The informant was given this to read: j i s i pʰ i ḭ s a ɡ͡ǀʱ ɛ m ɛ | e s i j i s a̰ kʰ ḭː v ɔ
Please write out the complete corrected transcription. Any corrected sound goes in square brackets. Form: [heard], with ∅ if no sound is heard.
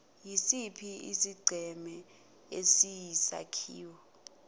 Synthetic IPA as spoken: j i s i pʰ i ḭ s [i] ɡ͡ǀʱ ɛ m ɛ | e s i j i s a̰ kʰ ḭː [w] ɔ